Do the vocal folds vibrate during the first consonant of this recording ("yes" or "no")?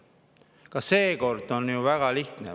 no